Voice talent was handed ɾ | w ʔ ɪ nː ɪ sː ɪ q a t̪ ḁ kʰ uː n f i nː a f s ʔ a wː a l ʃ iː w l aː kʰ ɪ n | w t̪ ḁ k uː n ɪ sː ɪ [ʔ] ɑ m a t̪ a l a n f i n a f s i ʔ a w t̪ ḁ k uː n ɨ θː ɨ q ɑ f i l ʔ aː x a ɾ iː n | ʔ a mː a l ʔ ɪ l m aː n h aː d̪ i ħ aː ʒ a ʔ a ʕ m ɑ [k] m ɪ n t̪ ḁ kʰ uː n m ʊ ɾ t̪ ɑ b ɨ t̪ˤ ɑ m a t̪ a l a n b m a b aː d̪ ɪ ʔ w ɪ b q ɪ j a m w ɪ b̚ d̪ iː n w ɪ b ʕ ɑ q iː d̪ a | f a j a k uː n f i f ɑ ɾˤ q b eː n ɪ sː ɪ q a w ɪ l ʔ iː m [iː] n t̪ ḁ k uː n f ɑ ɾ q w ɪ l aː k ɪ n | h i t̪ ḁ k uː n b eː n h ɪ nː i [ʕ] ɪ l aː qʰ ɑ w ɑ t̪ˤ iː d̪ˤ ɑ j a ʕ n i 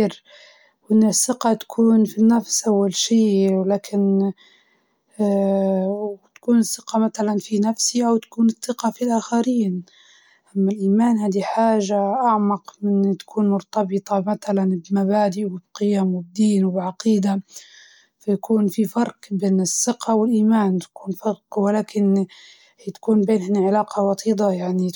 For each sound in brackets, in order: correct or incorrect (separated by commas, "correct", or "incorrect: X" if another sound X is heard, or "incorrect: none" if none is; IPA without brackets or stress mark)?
incorrect: q, incorrect: q, incorrect: aː, correct